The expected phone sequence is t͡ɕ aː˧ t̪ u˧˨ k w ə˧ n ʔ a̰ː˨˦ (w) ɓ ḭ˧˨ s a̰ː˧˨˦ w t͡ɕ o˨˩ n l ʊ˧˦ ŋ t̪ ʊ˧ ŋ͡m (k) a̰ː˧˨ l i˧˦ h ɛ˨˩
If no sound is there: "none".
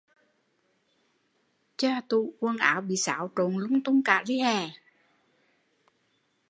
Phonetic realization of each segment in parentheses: w, k

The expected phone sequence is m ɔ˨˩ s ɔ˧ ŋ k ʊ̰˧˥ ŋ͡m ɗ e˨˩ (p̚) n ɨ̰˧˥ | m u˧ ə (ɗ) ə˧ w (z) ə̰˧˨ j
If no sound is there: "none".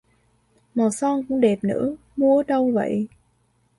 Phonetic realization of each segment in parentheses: p̚, ɗ, v

